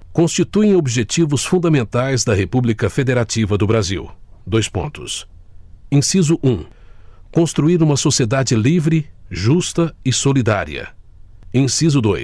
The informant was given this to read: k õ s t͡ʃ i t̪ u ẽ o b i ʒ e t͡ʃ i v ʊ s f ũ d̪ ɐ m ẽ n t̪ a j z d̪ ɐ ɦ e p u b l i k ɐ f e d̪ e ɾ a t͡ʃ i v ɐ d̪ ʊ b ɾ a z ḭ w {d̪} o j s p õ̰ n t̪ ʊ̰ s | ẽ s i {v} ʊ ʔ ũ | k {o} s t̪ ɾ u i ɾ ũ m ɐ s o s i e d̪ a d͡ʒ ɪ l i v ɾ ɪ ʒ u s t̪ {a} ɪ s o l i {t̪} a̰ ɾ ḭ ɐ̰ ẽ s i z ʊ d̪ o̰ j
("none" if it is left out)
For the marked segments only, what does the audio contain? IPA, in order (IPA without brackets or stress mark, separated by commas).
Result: d̪, z, õ, ɐ, d̪